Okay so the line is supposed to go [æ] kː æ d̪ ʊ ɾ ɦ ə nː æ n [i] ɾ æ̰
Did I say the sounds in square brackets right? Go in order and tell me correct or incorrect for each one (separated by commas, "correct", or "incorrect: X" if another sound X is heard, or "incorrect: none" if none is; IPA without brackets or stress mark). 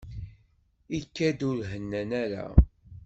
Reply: incorrect: i, incorrect: æ